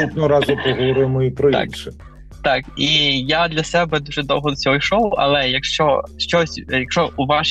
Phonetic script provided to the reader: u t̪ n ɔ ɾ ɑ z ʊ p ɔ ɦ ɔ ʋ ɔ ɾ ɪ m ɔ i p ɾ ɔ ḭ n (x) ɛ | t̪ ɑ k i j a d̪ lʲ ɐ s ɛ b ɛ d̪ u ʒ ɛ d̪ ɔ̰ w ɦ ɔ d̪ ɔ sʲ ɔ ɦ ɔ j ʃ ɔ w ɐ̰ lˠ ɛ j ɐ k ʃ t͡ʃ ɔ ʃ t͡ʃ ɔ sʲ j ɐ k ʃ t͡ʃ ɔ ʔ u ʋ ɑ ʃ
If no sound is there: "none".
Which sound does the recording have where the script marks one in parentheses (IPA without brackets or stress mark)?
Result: ʃ